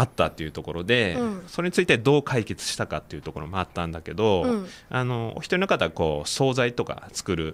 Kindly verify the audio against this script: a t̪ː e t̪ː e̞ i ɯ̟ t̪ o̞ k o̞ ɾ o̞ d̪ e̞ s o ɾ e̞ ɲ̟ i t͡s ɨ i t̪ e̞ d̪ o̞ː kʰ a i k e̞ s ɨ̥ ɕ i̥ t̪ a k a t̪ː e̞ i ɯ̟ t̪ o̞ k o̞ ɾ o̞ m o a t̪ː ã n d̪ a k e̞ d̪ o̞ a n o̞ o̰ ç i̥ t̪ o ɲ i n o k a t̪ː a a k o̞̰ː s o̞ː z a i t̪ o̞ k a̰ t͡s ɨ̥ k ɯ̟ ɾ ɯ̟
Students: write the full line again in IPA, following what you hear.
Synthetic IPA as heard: a t̪ː a t̪ː e̞ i ɯ̟ t̪ o̞ k o̞ ɾ o̞ d̪ e̞ s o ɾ e̞ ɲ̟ i t͡s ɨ i t̪ e̞ d̪ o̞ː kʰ a i k e̞ t͡s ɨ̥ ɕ i̥ t̪ a k a t̪ː e̞ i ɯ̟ t̪ o̞ k o̞ ɾ o̞ m o a t̪ː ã n d̪ a k e̞ d̪ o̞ a n o̞ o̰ ç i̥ t̪ o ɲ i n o k a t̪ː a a k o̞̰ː s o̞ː z a i t̪ o̞ k a̰ t͡s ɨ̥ k ɯ̟ ɾ ɯ̟

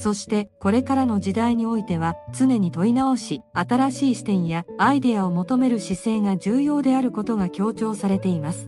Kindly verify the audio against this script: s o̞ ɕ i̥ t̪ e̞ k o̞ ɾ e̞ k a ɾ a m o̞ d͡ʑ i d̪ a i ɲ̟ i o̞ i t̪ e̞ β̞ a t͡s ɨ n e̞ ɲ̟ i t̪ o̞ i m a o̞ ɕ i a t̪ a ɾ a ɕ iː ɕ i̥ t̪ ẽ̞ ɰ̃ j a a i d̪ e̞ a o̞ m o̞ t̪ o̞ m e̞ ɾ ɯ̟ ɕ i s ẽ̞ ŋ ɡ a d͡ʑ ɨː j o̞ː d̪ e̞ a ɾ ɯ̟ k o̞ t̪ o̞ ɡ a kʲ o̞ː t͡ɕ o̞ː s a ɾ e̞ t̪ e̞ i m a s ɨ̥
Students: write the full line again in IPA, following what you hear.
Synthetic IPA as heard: s o̞ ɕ i̥ t̪ e̞ k o̞ ɾ e̞ k a ɾ a n o̞ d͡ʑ i d̪ a i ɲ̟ i o̞ i t̪ e̞ β̞ a t͡s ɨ n e̞ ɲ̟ i t̪ o̞ i n a o̞ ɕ i a t̪ a ɾ a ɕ iː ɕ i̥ t̪ ẽ̞ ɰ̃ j a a i d̪ e̞ a o̞ m o̞ t̪ o̞ m e̞ ɾ ɯ̟ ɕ i s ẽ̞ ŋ ɡ a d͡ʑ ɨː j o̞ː d̪ e̞ a ɾ ɯ̟ k o̞ t̪ o̞ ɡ a kʲ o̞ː t͡ɕ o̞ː s a ɾ e̞ t̪ e̞ i m a s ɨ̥

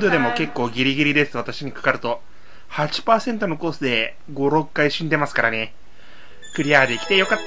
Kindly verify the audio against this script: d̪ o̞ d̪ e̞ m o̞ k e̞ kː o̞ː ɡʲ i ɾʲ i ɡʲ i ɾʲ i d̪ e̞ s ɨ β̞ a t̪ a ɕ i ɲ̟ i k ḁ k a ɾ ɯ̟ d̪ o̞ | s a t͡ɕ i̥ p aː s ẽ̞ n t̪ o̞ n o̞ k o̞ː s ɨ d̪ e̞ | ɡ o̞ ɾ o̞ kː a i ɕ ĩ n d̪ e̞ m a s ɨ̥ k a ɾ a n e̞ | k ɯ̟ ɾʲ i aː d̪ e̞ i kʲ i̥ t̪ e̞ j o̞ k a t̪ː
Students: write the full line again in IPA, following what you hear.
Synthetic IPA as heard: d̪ o̞ d̪ e̞ m o̞ k e̞ kː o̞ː ɡʲ i ɾʲ i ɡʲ i ɾʲ i d̪ e̞ s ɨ β̞ a t̪ a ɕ i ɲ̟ i k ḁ k a ɾ ɯ̟ t̪ o̞ | h a t͡ɕ i̥ p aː s ẽ̞ n t̪ o̞ n o̞ k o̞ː s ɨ d̪ e̞ | ɡ o̞ ɾ o̞ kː a i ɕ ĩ n d̪ e̞ m a s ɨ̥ k a ɾ a n e̞ | k ɯ̟ ɾʲ i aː d̪ e̞ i kʲ i̥ t̪ e̞ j o̞ k a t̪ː

